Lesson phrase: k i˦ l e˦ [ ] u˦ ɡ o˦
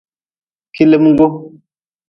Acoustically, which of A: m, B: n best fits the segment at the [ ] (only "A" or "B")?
A